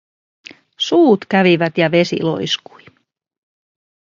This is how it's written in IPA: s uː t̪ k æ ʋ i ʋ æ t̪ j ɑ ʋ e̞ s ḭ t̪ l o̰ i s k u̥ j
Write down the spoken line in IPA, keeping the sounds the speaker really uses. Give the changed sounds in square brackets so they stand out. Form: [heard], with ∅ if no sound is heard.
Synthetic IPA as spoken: s uː t̪ k æ ʋ i ʋ æ t̪ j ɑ ʋ e̞ s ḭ [∅] l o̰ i s k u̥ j